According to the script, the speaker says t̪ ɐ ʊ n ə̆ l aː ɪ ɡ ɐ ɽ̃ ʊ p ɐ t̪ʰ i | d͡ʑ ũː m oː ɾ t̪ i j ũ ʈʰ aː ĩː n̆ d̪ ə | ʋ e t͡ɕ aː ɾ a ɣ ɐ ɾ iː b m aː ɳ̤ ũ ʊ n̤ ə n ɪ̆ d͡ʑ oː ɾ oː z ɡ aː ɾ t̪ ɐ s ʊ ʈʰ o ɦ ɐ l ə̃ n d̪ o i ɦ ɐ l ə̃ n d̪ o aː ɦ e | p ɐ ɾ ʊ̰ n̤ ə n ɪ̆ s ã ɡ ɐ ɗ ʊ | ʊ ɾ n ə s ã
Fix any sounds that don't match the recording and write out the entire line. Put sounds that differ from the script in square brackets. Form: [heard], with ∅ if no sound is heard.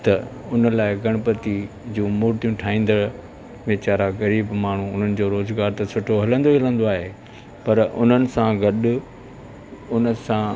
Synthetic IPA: t̪ ɐ ʊ n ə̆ l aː ɪ ɡ ɐ ɽ̃ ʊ p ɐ [t̪] i | d͡ʑ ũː m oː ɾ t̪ i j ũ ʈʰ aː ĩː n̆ d̪ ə | ʋ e t͡ɕ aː ɾ a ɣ ɐ ɾ iː b m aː ɳ̤ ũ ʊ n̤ ə n ɪ̆ d͡ʑ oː ɾ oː z ɡ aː ɾ t̪ ɐ s ʊ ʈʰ o ɦ ɐ l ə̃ n d̪ o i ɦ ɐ l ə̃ n d̪ o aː ɦ e | p ɐ ɾ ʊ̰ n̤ ə n ɪ̆ s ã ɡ ɐ ɗ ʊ | ʊ [∅] n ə s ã

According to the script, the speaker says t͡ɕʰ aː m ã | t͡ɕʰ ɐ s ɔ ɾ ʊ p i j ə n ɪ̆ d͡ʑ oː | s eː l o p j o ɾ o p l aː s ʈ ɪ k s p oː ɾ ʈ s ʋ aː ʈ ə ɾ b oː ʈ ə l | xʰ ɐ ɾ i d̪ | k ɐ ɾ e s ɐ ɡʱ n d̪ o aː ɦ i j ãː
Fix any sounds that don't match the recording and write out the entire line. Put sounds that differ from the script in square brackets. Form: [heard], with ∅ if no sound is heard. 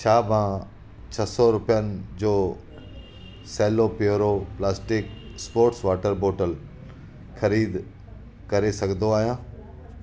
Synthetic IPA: t͡ɕʰ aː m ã | t͡ɕʰ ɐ s ɔ ɾ ʊ p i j ə n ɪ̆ d͡ʑ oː | s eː l o p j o ɾ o p l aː s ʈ ɪ k s p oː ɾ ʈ s ʋ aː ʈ ə ɾ b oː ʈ ə l | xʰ ɐ ɾ [iː] d̪ | k ɐ ɾ e s ɐ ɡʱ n d̪ o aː ɦ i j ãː

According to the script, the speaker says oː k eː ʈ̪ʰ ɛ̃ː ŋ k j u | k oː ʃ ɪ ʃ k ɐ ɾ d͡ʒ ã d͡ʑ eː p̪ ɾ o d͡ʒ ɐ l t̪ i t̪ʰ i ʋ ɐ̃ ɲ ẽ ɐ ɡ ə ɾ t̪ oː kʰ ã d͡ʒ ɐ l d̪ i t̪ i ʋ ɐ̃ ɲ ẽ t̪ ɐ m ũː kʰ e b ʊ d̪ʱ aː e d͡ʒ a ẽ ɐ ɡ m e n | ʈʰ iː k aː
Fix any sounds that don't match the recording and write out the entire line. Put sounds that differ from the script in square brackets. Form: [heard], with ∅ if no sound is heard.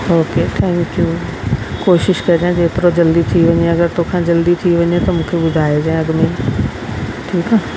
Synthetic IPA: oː k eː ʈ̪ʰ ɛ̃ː ŋ k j u | k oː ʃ ɪ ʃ k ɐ ɾ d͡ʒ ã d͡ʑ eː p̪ ɾ o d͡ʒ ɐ l [d̪] i t̪ʰ i ʋ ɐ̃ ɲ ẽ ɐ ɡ ə ɾ t̪ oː kʰ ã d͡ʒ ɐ l d̪ i [t̪ʰ] i ʋ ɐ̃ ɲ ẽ t̪ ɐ m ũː kʰ e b ʊ d̪ʱ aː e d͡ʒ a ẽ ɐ ɡ m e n | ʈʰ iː k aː

